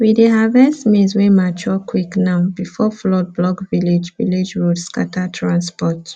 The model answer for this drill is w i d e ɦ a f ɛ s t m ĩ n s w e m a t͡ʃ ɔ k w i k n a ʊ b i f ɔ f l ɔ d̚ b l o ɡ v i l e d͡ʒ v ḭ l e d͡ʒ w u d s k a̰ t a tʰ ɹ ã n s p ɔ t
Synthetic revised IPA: w i d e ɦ a v ɛ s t m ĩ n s w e m a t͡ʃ ɔ k w i k n a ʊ b i f ɔ f l ɔ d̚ b l ɔ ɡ v i l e d͡ʒ v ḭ l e d͡ʒ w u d s k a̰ t a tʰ ɹ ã n s p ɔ t